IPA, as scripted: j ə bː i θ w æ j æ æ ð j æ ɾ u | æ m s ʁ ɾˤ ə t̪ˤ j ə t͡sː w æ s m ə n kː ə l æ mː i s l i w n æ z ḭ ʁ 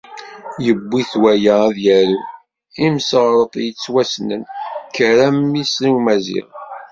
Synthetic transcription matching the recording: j ə bː i θ w æ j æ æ ð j æ ɾ u | i m s ʁ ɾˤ ə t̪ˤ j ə t͡sː w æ s n ə n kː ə ɾ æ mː i s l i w m æ z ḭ ʁ